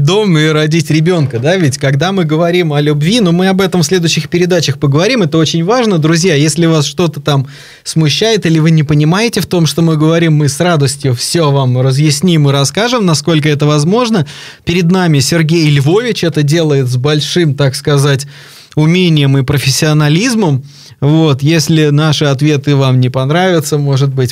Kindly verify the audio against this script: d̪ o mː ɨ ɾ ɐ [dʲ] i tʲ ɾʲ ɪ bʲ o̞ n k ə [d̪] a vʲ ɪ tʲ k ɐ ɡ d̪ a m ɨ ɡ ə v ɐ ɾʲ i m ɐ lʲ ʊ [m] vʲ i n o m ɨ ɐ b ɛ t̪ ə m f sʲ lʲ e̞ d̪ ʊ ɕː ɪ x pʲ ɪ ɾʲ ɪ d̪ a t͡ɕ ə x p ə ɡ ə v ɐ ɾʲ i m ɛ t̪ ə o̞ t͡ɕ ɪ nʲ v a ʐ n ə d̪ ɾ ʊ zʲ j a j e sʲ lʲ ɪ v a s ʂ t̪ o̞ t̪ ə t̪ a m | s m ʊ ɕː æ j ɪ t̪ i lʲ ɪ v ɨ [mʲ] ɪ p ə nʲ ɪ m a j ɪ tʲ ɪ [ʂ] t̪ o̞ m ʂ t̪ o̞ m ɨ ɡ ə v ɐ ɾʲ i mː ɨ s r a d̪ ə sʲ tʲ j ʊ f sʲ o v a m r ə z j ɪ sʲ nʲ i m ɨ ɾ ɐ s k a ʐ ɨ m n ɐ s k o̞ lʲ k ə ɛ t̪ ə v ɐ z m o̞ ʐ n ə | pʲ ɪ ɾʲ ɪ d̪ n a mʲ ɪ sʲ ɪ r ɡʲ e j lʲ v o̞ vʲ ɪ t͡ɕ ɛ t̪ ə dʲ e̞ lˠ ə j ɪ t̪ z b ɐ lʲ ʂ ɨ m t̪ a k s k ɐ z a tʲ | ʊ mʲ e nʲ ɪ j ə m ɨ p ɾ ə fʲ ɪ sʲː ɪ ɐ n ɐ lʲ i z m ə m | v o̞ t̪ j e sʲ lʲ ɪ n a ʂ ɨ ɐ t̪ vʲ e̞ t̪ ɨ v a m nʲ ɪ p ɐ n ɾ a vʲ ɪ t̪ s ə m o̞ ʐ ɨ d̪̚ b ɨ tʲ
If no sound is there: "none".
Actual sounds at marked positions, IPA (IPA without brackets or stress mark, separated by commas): dʲ, d̪, b, nʲ, f